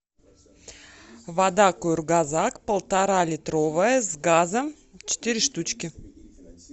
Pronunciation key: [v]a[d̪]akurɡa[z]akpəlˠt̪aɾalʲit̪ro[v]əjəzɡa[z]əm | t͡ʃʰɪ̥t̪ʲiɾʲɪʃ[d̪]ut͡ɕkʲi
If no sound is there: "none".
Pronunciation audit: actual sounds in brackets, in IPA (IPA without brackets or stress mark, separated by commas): v, d̪, z, v, z, t̪